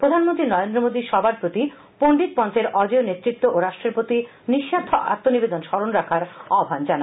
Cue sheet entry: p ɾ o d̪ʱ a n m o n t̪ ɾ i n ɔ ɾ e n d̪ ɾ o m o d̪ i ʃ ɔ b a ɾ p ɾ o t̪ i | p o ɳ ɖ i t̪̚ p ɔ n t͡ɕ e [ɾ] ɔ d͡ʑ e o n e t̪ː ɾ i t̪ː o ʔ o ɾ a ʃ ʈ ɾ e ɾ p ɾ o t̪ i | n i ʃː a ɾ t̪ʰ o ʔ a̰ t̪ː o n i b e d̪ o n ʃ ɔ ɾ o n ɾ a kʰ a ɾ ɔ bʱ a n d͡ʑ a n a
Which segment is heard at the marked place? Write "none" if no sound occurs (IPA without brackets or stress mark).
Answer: ɾ